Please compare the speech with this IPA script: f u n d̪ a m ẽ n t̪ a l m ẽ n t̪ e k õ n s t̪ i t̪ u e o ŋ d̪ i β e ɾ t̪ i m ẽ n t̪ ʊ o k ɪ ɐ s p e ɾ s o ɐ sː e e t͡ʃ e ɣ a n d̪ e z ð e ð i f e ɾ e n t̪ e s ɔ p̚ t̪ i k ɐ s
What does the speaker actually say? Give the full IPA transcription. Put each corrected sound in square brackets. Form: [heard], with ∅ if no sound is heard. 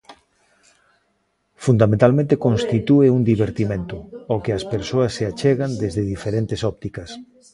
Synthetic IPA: f u n d̪ a m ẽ n t̪ a l m ẽ n t̪ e k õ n s t̪ i t̪ u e [u] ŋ d̪ i β e ɾ t̪ i m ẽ n t̪ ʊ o k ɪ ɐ s p e ɾ s o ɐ sː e [a] t͡ʃ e ɣ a n d̪ e z ð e ð i f e ɾ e n t̪ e s ɔ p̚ t̪ i k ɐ s